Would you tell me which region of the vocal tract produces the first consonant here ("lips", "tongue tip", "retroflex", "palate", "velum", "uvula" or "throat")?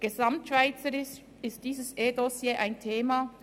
velum